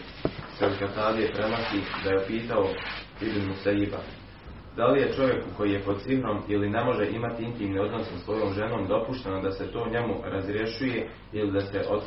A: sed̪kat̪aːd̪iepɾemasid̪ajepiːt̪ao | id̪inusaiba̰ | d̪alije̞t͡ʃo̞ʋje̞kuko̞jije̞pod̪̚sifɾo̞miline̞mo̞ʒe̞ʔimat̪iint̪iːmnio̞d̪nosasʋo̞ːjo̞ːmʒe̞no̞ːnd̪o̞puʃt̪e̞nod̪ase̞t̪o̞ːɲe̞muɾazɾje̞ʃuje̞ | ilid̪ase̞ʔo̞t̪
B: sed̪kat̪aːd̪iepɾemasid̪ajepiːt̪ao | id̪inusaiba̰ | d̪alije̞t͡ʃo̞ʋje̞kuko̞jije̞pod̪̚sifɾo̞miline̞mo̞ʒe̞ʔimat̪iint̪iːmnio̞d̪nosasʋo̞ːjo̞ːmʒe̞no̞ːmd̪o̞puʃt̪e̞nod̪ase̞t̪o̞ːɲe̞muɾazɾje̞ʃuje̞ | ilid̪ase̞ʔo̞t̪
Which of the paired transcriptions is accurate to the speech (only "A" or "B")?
B